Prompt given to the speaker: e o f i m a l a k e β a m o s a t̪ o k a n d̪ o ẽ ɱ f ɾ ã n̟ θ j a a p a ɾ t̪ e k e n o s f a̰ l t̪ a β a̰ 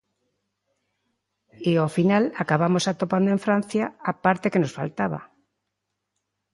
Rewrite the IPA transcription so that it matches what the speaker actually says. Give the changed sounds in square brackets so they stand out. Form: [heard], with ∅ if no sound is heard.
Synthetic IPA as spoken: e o f i [n] a l a k [a] β a m o s a t̪ o [p] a n d̪ o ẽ ɱ f ɾ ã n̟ θ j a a p a ɾ t̪ e k e n o s f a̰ l t̪ a β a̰